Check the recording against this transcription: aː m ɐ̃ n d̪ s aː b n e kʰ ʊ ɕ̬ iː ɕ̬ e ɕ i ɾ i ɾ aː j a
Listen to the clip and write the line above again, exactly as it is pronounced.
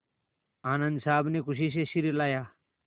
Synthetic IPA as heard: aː n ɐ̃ n d̪ s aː b n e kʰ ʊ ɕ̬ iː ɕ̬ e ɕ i ɾ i l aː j a